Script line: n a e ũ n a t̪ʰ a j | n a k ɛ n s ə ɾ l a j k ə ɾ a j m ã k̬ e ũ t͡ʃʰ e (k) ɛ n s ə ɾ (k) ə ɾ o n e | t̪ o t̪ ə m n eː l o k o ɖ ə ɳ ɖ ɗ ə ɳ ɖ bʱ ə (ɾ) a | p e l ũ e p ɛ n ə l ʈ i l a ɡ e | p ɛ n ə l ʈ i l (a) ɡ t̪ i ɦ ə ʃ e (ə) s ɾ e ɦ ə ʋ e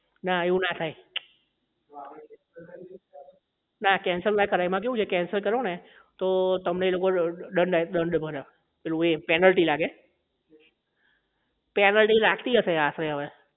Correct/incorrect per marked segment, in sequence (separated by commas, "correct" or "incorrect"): correct, correct, correct, correct, incorrect